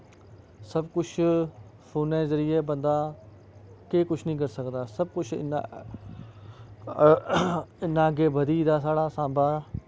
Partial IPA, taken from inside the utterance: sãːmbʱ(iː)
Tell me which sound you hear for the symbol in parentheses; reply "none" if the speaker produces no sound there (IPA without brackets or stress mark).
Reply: aː